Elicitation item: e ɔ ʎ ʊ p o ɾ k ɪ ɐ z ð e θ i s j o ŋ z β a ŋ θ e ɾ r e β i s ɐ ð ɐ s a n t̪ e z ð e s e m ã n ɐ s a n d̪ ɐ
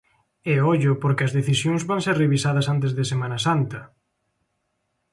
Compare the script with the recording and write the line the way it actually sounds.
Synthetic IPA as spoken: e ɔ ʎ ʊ p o ɾ k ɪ ɐ z ð e θ i s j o ŋ z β a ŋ s e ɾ r e β i s a ð ɐ s a n t̪ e z ð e s e m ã n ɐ s a n t̪ ɐ